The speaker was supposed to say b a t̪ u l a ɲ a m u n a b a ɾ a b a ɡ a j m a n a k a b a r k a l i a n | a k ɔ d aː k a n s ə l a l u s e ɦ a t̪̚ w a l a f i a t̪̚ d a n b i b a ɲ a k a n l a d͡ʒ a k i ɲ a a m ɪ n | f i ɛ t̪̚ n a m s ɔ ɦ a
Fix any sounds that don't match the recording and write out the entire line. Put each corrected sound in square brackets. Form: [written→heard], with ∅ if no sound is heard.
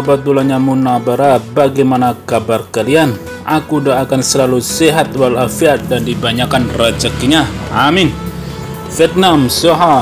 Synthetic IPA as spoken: b a t̪ u l a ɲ a m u n a b a ɾ a b a ɡ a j m a n a k a b a r k a l i a n | a k [ɔ→u] d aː k a n s ə l a l u s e ɦ a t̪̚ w a l a f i a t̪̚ d a n [b→d] i b a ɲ a k a n [l→r] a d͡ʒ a k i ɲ a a m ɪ n | f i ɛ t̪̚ n a m s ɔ ɦ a